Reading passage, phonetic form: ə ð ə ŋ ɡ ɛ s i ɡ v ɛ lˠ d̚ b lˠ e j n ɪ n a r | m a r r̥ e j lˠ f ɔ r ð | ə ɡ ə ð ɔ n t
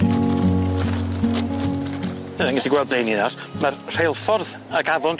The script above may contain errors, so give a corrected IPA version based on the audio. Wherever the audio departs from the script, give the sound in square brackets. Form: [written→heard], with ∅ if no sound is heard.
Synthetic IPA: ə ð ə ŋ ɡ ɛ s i ɡ [v→w] ɛ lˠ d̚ b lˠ e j n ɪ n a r | m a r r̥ e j lˠ f ɔ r ð | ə ɡ [ə→a] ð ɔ n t

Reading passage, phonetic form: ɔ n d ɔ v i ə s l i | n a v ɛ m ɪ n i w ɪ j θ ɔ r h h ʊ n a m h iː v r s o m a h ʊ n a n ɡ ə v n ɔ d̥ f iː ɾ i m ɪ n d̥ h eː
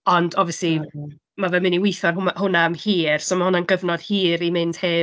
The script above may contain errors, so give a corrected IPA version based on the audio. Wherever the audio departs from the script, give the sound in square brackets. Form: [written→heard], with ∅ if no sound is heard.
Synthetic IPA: ɔ n d ɔ v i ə s l i | [n→m] a v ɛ m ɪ n i w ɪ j θ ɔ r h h ʊ n a m h iː [v→∅] r s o m a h ʊ n a n ɡ ə v n ɔ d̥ [f→h] iː ɾ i m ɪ n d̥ h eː

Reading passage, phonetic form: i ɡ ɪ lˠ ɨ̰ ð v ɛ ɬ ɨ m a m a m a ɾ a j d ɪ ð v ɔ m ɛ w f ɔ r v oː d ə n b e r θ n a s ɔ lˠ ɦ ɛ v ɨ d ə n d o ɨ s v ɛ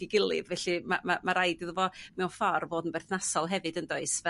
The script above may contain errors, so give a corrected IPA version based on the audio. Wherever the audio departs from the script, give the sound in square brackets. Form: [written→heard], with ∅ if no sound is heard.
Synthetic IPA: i ɡ ɪ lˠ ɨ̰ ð v ɛ ɬ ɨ m a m a m a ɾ a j d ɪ ð v ɔ m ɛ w f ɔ r v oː d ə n b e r θ n a s ɔ lˠ ɦ ɛ v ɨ d ə n d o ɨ s v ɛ

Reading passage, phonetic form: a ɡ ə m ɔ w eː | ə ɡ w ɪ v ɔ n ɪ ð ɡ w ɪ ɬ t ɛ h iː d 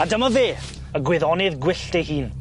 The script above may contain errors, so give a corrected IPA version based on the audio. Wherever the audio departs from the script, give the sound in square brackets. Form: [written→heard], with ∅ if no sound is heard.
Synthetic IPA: a [ɡ→d] ə m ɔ [w→v] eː | ə ɡ w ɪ [v→ð] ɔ n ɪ ð ɡ w ɪ ɬ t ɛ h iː [d→n]

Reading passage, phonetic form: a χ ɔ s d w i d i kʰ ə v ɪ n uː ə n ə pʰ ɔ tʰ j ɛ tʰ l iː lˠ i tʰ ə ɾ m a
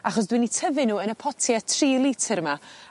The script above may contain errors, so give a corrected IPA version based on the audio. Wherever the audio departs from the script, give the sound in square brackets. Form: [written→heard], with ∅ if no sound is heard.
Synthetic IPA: a χ ɔ s d w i [d→n] i [kʰ→tʰ] ə v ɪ n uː ə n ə pʰ ɔ tʰ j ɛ tʰ [l→r] iː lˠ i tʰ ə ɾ m a

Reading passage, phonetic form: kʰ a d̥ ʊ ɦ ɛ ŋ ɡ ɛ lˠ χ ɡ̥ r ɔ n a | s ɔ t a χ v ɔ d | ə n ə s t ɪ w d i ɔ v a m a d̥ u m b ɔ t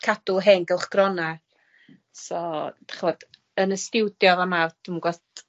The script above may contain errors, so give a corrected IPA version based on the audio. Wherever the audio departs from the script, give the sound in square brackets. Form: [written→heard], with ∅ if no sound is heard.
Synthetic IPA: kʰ a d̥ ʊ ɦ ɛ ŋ ɡ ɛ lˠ χ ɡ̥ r ɔ n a | s ɔ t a χ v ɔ d | ə n ə s t ɪ w d [i→j] ɔ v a m a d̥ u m [b→ɡ] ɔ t

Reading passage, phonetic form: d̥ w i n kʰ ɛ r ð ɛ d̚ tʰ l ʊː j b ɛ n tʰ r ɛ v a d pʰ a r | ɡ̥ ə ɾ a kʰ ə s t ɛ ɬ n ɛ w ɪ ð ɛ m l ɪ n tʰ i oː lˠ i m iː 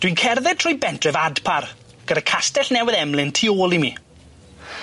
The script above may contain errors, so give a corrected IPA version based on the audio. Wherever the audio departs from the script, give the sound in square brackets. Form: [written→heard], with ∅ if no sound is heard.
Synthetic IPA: d̥ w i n kʰ ɛ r ð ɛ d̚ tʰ [l→r] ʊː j b ɛ n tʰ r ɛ v a d pʰ a r | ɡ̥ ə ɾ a kʰ [ə→a] s t ɛ ɬ n ɛ w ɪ ð ɛ m l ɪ n tʰ i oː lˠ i m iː

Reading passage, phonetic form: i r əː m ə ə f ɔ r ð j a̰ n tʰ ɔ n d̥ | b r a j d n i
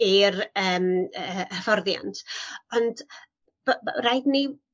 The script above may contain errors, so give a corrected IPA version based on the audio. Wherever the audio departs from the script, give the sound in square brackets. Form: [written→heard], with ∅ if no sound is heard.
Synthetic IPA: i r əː m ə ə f ɔ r ð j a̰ n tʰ ɔ n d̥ | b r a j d n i

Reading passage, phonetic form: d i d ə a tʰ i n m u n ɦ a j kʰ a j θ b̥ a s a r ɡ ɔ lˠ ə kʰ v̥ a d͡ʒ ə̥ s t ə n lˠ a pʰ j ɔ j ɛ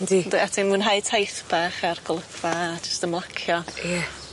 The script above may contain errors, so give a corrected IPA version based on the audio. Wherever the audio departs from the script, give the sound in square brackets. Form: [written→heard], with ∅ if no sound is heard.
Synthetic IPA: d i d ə a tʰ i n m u n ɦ a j [kʰ→tʰ] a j θ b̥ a [s→χ] a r ɡ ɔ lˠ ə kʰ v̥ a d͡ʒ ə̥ s t ə [n→m] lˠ a [pʰ→kʰ] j ɔ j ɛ

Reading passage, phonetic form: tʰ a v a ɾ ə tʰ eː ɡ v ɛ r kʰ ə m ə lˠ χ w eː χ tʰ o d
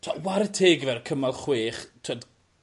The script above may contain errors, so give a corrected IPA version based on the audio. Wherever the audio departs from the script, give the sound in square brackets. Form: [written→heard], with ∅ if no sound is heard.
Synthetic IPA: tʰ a [v→w] a ɾ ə tʰ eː ɡ v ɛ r kʰ ə m [ə→a] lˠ χ w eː χ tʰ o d

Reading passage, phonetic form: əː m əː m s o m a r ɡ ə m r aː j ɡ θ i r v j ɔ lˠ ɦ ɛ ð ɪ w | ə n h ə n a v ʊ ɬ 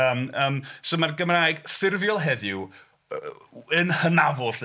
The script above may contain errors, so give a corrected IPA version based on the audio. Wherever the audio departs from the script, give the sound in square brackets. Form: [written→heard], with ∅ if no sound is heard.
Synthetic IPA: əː m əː m s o m a r ɡ ə m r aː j ɡ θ [i→ɪ] r v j ɔ lˠ ɦ ɛ ð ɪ w | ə n h ə n a v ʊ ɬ

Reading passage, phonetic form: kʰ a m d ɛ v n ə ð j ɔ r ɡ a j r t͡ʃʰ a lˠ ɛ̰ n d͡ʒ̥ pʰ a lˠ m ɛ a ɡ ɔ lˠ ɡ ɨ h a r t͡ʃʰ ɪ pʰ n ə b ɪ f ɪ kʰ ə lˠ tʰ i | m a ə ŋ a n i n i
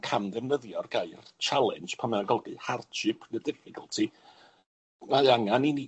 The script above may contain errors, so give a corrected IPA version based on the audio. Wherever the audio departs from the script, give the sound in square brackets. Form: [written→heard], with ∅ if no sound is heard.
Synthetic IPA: kʰ a m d ɛ v n ə ð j ɔ r ɡ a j r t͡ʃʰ a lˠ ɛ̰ n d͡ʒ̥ pʰ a [lˠ→∅] m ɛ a ɡ ɔ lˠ ɡ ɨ h a r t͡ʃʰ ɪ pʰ n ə [b→d] ɪ f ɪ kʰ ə lˠ tʰ i | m a [ə→a] ŋ a n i n i

